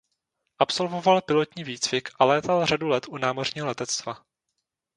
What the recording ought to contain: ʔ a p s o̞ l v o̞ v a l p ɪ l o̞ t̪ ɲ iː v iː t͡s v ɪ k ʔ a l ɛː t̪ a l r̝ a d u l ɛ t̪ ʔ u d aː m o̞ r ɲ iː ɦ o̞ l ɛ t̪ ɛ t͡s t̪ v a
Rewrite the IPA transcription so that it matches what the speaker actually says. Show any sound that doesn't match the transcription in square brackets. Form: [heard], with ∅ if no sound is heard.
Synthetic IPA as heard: ʔ a p s o̞ l v o̞ v a l p ɪ l o̞ t̪ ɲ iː v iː t͡s v ɪ k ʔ a l ɛː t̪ a l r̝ a d u l ɛ t̪ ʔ u [n] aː m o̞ r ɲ iː ɦ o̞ l ɛ t̪ ɛ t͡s t̪ v a